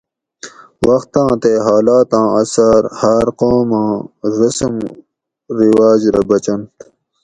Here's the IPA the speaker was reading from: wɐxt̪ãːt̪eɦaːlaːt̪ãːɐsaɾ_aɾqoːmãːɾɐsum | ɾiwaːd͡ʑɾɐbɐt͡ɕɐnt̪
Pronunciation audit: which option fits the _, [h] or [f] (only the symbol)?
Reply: h